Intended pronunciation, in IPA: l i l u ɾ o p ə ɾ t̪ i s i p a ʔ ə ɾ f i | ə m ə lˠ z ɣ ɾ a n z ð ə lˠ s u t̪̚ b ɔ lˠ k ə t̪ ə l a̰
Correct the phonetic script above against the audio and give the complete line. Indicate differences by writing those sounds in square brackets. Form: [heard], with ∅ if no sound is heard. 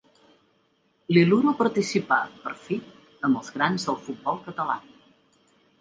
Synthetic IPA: l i l u ɾ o p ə ɾ t̪ i s i p a [p] ə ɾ f i | ə m ə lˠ z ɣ ɾ a n z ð ə lˠ [f] u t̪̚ b ɔ lˠ k ə t̪ ə l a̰